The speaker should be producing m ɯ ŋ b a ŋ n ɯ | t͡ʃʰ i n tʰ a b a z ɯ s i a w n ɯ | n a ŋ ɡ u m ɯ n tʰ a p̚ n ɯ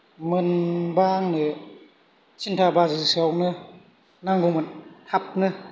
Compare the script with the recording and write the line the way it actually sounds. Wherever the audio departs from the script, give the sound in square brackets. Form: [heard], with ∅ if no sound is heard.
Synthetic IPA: m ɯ [n] b a ŋ n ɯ | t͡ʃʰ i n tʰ a b a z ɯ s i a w n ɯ | n a ŋ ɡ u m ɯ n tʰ a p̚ n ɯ

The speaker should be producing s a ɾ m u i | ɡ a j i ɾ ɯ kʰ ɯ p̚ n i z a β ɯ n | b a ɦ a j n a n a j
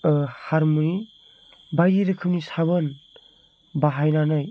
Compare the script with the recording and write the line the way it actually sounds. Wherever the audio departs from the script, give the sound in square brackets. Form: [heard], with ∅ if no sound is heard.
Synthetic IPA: [h] a ɾ m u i | [b] a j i ɾ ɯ kʰ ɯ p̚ n i [s] a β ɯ n | b a ɦ a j n a n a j

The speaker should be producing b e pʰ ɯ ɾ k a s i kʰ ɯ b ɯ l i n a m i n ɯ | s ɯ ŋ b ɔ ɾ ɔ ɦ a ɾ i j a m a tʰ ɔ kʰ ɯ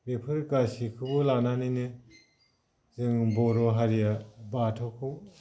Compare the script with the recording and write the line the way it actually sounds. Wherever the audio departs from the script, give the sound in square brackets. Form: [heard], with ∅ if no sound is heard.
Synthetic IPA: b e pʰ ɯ ɾ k a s i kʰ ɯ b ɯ l [a] n a [n] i n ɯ | [z] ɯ ŋ b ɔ ɾ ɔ ɦ a ɾ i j a [b] a tʰ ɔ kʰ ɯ

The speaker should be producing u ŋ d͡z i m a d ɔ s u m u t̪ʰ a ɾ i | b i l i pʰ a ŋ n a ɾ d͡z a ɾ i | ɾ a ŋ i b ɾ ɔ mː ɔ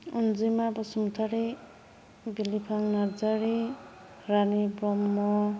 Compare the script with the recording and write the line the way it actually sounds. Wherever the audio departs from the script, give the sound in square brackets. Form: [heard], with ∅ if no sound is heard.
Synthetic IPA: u [n] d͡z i m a [b] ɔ s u m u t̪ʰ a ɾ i | b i l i pʰ a ŋ n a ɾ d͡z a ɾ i | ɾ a [n] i b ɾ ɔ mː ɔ

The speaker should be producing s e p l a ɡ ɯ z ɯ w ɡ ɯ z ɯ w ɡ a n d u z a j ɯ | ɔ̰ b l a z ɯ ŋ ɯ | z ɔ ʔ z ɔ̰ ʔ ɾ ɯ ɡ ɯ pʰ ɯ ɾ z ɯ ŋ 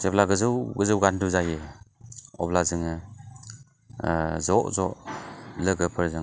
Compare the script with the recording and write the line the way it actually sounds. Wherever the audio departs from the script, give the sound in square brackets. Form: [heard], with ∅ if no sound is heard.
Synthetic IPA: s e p l a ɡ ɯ z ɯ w ɡ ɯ z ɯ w ɡ a n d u z a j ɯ | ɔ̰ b l a z ɯ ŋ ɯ | z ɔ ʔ z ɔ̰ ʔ [l] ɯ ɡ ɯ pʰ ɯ ɾ z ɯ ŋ

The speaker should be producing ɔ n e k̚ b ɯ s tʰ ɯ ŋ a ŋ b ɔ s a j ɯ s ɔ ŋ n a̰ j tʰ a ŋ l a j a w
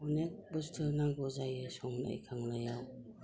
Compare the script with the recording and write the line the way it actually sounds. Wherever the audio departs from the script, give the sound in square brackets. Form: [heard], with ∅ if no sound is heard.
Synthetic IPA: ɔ n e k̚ b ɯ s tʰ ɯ [n] a ŋ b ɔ [z] a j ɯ s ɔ ŋ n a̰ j [kʰ] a ŋ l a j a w

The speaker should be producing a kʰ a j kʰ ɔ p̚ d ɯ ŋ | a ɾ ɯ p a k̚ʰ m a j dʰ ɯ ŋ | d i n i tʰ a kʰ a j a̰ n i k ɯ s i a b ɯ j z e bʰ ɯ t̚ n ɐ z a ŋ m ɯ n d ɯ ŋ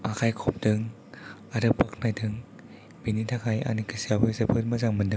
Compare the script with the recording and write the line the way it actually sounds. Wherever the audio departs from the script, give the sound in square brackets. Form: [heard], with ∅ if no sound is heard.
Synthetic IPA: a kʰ a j kʰ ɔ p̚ d ɯ ŋ | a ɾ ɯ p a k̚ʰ [n] a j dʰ ɯ ŋ | [b] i n i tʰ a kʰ a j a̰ n i k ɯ s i a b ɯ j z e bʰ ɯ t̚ [m] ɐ z a ŋ m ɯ n d ɯ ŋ

